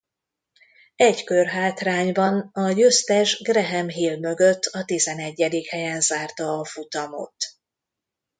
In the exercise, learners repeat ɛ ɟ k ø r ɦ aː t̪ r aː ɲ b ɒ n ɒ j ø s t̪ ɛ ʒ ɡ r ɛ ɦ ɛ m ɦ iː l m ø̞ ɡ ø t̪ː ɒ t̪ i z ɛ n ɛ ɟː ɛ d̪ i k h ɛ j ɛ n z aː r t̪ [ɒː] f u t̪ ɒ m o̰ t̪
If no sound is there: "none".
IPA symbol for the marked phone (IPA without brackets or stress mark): ɒː